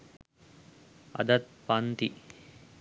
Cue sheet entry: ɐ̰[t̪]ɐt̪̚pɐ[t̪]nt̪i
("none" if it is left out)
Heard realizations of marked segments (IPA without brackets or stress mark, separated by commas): d̪, none